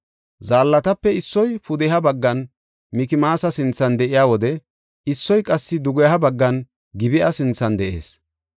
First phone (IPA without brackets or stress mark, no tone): z